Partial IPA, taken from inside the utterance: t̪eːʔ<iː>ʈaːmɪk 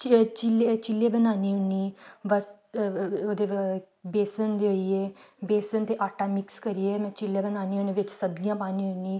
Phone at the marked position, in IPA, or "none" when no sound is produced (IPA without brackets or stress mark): aː